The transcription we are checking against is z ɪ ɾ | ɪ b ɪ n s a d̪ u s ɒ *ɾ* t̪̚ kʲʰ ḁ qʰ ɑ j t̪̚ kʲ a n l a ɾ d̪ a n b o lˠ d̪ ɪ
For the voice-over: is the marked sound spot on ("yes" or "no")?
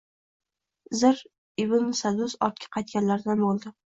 yes